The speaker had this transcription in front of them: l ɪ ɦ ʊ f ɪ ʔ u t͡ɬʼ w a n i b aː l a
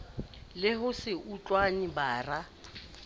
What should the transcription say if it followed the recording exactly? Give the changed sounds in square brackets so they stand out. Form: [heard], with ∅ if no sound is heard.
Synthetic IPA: l ɪ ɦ ʊ [s] ɪ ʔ u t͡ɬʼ w a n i b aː [r] a